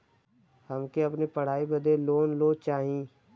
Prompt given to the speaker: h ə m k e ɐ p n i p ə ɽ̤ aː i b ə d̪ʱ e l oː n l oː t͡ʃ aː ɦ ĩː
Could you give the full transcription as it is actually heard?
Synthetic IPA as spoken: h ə m k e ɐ p n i p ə ɽ̤ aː i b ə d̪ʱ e l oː n l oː t͡ʃ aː ɦ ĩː